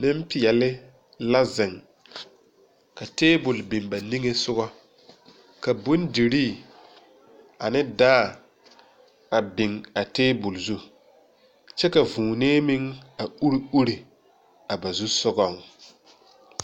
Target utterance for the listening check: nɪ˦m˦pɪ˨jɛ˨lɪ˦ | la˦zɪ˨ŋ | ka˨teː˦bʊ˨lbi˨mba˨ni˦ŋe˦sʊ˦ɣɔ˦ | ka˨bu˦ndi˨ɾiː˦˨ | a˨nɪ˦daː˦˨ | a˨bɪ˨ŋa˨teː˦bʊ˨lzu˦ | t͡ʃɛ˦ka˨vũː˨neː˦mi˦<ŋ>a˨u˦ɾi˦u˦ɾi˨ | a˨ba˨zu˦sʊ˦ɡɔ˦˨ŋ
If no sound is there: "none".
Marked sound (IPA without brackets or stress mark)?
ŋ